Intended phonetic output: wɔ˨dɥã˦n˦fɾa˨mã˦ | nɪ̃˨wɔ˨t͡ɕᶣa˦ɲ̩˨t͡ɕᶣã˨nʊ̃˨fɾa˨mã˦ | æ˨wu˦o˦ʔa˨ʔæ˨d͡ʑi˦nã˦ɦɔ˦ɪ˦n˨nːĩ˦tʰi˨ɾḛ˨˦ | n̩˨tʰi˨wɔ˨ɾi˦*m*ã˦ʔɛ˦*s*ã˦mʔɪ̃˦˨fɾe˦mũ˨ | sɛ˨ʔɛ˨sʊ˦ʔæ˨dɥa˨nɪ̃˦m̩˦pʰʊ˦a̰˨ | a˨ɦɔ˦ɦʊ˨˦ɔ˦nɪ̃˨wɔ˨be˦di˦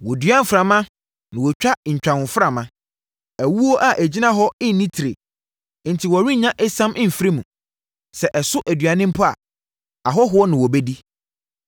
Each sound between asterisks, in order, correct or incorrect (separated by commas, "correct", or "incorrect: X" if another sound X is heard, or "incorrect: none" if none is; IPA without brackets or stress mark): incorrect: ɲ, correct